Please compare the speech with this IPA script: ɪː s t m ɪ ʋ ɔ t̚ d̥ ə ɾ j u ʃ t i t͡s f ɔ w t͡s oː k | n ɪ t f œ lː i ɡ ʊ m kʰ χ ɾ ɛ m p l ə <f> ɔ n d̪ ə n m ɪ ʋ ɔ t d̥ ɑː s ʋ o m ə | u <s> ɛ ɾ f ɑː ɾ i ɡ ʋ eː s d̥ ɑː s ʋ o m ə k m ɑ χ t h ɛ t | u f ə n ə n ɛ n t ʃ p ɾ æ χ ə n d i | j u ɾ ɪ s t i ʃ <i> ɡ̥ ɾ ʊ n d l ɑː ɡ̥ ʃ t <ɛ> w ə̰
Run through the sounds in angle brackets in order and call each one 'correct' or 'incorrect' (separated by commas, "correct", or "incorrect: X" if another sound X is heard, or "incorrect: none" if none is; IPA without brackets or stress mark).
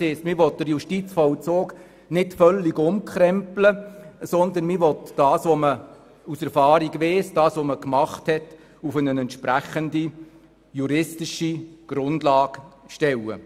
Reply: incorrect: s, correct, correct, correct